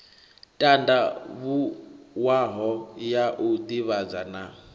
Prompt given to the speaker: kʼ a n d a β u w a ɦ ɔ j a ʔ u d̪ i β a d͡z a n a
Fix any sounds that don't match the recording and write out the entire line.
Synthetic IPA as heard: tʼ a n d a β u w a ɦ ɔ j a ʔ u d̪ i β a d͡z a n a